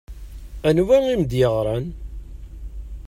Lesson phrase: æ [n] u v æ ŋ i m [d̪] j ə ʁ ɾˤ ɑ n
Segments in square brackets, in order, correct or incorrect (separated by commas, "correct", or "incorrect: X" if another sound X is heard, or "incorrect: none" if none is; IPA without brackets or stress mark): correct, correct